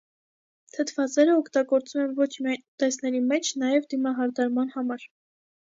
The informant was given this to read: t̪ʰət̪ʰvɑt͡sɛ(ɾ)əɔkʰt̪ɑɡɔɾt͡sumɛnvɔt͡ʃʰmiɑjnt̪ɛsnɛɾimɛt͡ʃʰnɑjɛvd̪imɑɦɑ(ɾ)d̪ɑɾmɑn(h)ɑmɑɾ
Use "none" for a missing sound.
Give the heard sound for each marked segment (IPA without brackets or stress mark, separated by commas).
ɾ, ɾ, h